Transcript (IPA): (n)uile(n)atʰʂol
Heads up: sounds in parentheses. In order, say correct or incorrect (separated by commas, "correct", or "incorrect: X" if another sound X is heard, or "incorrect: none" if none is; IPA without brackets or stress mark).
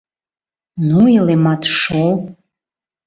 correct, incorrect: m